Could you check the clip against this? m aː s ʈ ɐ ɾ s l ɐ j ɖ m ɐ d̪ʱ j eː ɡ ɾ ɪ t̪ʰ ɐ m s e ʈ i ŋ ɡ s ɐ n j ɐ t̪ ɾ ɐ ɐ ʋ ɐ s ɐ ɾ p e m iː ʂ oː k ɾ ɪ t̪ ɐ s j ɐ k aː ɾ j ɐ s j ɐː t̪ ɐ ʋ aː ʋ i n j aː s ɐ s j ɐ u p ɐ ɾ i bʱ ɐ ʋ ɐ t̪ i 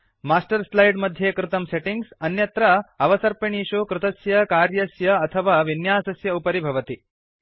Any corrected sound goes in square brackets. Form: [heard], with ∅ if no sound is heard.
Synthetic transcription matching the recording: m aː s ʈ ɐ ɾ s l ɐ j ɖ m ɐ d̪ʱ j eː [k] ɾ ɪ [t̪] ɐ m s e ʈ i ŋ ɡ s ɐ n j ɐ t̪ ɾ ɐ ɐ ʋ ɐ s ɐ ɾ p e [ɳ] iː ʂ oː k ɾ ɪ t̪ ɐ s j ɐ k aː ɾ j ɐ s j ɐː [t̪ʰ] ɐ ʋ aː ʋ i n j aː s ɐ s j ɐ u p ɐ ɾ i bʱ ɐ ʋ ɐ t̪ i